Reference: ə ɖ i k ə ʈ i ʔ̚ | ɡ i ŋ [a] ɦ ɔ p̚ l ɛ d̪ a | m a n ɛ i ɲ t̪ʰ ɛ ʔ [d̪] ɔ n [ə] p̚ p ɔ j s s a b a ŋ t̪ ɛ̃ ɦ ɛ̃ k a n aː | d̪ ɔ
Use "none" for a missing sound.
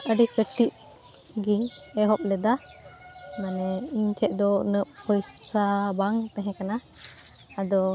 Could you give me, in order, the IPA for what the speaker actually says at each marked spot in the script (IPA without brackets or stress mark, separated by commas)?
ɛ, d̪, ə